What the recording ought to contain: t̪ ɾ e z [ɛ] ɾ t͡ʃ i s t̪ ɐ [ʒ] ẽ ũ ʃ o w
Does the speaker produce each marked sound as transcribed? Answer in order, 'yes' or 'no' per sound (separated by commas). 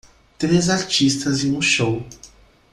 no, no